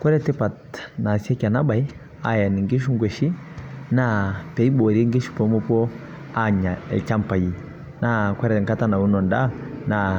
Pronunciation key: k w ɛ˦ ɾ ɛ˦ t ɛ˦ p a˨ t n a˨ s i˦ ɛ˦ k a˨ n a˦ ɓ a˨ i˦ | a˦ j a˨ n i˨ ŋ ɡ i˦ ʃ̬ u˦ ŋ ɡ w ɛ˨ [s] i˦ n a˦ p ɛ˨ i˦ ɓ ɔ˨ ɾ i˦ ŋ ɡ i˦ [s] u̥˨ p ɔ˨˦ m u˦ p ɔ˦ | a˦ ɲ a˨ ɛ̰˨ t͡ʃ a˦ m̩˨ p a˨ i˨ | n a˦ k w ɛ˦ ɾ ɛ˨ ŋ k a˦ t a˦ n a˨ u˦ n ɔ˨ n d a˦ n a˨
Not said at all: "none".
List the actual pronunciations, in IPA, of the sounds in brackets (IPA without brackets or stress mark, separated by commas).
ʃ, ʃ